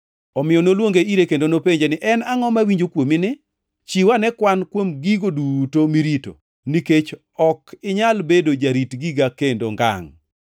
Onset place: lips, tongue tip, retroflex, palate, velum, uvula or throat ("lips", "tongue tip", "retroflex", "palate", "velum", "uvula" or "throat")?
lips